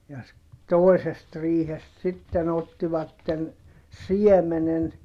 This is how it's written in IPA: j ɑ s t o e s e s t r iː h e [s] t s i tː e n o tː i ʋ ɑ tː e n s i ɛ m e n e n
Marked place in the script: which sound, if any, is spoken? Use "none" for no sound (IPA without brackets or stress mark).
s